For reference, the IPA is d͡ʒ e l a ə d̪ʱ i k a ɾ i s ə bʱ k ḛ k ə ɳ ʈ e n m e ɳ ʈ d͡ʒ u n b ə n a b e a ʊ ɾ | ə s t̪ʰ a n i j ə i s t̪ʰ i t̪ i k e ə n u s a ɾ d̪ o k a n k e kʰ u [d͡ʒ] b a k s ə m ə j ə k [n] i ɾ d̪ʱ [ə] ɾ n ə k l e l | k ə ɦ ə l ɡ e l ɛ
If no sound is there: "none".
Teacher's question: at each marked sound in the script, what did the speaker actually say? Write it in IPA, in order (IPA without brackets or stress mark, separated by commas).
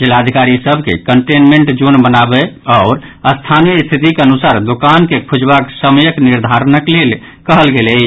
d͡ʒ, n, a